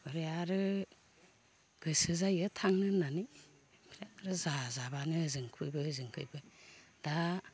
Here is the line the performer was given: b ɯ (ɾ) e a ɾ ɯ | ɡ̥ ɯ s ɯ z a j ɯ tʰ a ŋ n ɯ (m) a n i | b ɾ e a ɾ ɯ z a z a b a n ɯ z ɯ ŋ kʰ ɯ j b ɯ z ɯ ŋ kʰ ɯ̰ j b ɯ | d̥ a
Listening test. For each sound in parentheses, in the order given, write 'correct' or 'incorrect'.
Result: correct, incorrect: n

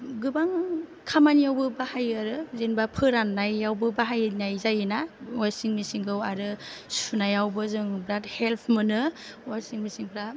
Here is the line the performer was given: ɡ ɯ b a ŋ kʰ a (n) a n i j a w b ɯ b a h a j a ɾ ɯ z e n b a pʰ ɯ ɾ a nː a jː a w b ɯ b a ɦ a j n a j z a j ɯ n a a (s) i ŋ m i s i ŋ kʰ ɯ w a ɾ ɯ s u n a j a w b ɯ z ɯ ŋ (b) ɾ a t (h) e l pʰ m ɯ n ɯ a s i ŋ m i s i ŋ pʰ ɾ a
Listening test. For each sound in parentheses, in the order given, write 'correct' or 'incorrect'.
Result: incorrect: m, correct, correct, correct

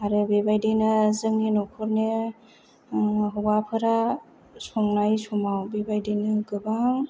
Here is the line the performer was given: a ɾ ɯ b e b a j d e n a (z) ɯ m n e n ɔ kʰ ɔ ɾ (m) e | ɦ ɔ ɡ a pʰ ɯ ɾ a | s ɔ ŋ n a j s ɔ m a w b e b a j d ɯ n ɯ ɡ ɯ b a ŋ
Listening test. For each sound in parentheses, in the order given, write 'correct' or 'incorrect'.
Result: correct, incorrect: n

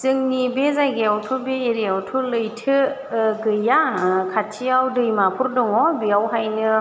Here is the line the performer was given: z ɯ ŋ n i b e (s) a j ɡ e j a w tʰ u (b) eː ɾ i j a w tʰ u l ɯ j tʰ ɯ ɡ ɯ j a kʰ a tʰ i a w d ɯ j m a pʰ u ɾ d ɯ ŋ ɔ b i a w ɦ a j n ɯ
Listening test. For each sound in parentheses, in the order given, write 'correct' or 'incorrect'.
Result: incorrect: z, correct

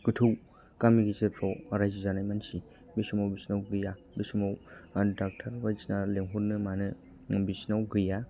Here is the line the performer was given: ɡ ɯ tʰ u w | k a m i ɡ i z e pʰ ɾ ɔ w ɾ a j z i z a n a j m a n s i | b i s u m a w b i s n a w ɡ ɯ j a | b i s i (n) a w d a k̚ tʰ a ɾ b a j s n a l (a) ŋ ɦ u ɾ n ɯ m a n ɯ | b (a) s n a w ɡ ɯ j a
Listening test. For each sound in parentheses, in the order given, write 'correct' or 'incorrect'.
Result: incorrect: m, incorrect: e, incorrect: i

